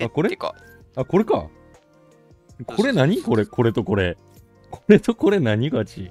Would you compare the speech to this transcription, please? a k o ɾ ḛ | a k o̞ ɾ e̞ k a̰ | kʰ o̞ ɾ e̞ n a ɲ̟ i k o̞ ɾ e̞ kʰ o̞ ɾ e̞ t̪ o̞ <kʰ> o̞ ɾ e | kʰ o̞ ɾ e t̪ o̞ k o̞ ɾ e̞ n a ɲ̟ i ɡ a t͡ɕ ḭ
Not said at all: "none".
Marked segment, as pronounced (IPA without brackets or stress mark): k